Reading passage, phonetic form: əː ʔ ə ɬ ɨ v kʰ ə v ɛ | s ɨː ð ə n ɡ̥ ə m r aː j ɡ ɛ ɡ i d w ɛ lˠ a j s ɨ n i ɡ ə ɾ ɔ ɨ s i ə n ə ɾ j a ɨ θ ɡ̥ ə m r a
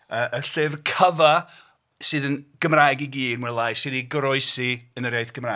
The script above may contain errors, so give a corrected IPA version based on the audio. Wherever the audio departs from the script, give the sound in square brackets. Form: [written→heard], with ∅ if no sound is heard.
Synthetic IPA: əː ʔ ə ɬ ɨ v kʰ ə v [ɛ→a] | s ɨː ð ə n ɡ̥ ə m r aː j ɡ [ɛ→i] ɡ [i→iː] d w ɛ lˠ a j s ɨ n i ɡ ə ɾ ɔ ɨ s i ə n ə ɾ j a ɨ θ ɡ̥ ə m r a

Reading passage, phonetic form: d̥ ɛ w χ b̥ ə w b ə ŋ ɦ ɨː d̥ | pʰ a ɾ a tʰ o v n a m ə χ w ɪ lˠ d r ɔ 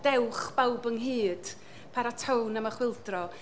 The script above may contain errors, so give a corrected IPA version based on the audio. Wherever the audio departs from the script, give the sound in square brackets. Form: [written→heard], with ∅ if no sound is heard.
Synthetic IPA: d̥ ɛ w χ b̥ [ə→a] w b ə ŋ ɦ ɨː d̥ | pʰ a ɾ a tʰ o [v→w] n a m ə χ w ɪ lˠ d r ɔ

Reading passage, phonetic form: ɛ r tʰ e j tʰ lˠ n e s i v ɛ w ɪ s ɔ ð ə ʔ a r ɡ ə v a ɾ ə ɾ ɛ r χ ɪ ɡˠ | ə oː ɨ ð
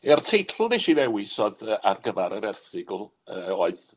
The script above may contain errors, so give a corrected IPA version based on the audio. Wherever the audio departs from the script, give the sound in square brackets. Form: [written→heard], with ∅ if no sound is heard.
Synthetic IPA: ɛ r tʰ e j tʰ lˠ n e [s→ʃ] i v ɛ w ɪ s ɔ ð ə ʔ a r ɡ ə v a ɾ ə ɾ ɛ r [χ→θ] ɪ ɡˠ | ə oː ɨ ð

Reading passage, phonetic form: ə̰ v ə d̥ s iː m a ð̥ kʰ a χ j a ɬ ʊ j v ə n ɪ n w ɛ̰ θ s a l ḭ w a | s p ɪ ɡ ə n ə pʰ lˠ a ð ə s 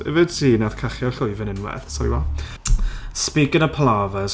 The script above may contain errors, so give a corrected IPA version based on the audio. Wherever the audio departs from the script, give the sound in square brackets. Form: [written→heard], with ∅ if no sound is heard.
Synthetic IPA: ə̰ v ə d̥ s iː [m→n] a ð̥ kʰ a χ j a ɬ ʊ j v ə n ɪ n w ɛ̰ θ s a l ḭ w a | s p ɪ ɡ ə n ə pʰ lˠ a [ð→v] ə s

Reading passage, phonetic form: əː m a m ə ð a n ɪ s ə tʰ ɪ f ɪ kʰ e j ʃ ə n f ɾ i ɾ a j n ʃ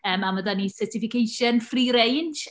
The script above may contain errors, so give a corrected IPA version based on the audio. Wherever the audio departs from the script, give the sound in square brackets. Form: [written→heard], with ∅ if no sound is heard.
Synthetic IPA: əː m a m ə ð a n [ɪ→i] s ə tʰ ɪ f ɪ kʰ e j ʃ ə n f [ɾ→r] i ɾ [a→e] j n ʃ

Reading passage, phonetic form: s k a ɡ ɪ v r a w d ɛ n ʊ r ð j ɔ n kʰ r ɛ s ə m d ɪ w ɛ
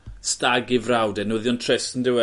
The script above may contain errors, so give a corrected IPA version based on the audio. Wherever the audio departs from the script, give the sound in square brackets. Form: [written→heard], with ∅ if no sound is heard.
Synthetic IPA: s [k→t] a ɡ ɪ v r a w d ɛ n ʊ [r→∅] ð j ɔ n [kʰ→tʰ] r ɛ s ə [m→n] d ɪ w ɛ

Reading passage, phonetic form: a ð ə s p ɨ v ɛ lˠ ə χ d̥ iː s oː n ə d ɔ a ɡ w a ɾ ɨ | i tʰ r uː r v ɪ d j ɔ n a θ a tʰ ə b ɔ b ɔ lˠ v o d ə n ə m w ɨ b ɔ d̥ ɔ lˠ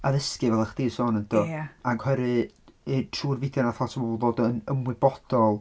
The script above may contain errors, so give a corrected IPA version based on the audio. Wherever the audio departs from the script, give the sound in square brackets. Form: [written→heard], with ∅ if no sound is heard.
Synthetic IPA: a ð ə s [p→k] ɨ v ɛ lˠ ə χ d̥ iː s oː n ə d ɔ a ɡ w [a→ɛ] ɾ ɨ | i tʰ r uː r v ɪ d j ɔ n a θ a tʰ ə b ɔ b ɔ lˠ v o d ə n ə m w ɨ b ɔ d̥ ɔ lˠ

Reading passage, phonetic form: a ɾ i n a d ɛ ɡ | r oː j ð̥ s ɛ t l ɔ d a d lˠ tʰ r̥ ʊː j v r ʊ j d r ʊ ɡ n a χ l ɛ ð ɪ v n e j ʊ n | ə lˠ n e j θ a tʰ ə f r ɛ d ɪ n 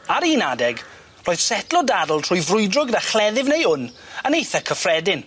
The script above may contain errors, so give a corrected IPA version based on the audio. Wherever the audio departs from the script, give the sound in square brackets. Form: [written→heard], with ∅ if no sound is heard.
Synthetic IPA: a ɾ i n a d ɛ ɡ | r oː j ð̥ s ɛ t l ɔ d a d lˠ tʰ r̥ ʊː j v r ʊ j d r ʊ ɡ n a χ l ɛ ð ɪ v n e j ʊ n | ə [lˠ→∅] n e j θ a [tʰ→kʰ] ə f r ɛ d ɪ n

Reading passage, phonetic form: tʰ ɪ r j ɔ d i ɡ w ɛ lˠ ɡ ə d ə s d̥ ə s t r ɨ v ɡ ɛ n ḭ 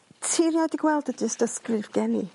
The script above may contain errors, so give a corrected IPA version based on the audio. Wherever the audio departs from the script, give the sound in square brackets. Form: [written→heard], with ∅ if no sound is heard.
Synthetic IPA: tʰ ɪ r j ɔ d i ɡ w ɛ lˠ [ɡ→d] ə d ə s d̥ ə s [t→k] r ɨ v ɡ ɛ n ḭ

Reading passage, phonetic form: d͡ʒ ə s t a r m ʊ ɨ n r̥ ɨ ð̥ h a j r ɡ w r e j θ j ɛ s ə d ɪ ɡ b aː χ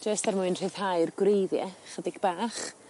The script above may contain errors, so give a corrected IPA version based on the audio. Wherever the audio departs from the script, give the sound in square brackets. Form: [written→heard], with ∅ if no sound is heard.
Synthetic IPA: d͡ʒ ə s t a r m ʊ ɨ n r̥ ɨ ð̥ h a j r ɡ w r e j [θ→ð] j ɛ [s→χ] ə d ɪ ɡ b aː χ

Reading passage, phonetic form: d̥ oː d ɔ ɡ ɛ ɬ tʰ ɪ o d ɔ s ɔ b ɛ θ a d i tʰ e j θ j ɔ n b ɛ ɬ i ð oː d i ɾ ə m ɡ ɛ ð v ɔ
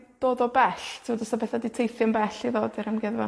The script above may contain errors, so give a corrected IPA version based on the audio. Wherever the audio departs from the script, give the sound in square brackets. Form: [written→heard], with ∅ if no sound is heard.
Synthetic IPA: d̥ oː d ɔ [ɡ→b] ɛ ɬ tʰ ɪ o d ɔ s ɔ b ɛ θ a d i tʰ e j θ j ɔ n b ɛ ɬ i ð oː d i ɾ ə m ɡ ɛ ð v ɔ

